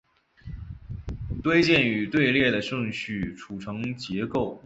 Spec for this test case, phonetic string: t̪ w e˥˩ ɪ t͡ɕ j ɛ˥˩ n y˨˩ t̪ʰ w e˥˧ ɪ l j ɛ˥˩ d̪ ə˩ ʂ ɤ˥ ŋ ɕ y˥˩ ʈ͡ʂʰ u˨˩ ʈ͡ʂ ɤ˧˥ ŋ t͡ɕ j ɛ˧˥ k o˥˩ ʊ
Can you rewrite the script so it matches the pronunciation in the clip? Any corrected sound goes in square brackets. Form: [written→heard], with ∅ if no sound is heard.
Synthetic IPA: t̪ w [e˥˩→e˥] ɪ t͡ɕ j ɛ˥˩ n y˨˩ [t̪ʰ→t̪] w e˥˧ ɪ l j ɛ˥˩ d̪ ə˩ ʂ [ɤ˥→ɤ˥˧] ŋ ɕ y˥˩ ʈ͡ʂʰ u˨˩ [ʈ͡ʂ→ʈ͡ʂʰ] ɤ˧˥ ŋ t͡ɕ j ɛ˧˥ k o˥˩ ʊ